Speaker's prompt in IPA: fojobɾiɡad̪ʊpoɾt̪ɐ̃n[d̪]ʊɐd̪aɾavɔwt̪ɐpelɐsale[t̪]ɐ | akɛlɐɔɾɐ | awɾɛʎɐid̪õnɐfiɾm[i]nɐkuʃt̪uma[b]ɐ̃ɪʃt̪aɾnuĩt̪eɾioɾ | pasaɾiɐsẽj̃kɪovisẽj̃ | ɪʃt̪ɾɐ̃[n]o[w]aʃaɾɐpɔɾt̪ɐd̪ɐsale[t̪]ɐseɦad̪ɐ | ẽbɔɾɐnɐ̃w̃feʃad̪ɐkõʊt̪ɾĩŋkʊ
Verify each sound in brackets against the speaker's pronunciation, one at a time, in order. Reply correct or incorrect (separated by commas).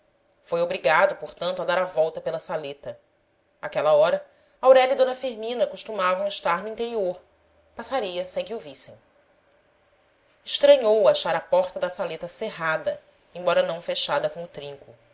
incorrect, correct, incorrect, incorrect, incorrect, correct, correct